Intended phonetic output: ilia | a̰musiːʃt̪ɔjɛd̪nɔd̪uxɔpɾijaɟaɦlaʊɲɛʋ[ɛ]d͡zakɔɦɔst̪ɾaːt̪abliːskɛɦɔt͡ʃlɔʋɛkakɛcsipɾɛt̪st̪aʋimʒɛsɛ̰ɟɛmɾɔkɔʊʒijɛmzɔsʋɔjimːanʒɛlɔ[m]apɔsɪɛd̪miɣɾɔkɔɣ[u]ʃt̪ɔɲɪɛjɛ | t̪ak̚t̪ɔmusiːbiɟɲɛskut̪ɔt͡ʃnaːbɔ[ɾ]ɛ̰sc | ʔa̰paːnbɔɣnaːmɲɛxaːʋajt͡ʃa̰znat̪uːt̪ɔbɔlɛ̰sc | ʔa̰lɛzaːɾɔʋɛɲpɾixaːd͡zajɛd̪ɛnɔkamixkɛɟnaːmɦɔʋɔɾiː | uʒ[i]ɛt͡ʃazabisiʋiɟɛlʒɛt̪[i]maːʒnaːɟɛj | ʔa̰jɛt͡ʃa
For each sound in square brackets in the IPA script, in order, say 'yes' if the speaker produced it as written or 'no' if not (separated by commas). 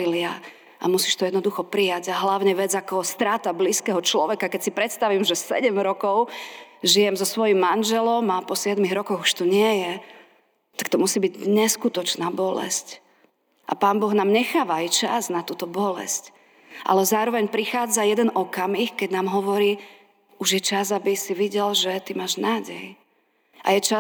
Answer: yes, yes, yes, no, no, yes